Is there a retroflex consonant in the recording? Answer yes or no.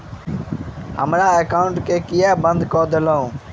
yes